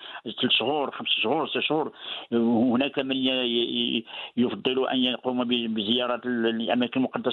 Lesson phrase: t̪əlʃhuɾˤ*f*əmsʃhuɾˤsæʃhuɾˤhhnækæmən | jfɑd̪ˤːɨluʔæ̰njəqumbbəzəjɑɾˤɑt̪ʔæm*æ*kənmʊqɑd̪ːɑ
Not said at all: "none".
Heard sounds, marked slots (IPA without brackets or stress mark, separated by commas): x, æ